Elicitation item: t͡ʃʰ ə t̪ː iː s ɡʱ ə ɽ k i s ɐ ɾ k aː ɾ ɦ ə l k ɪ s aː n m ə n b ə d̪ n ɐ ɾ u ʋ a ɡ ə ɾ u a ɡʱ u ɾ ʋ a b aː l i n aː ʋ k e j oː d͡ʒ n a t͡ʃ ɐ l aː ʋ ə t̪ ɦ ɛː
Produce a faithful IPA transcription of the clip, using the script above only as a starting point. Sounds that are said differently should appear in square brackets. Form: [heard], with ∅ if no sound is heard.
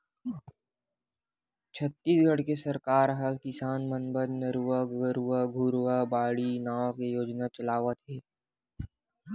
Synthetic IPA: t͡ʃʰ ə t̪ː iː s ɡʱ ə ɽ k [e] s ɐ ɾ k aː ɾ ɦ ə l k ɪ s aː n m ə n b ə d̪ n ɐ ɾ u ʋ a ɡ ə ɾ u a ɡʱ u ɾ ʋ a b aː [ɽ] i n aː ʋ k e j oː d͡ʒ n a t͡ʃ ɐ l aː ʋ ə t̪ ɦ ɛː